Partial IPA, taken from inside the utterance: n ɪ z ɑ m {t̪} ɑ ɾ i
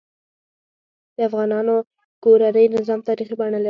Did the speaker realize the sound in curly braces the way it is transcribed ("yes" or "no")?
yes